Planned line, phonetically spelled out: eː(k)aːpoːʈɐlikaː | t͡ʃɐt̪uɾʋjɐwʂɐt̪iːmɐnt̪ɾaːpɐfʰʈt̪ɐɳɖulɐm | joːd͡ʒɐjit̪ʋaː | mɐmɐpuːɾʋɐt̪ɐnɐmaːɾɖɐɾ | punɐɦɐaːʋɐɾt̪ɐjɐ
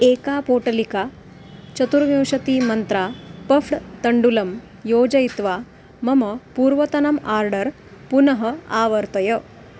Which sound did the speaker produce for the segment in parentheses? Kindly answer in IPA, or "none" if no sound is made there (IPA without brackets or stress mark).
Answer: k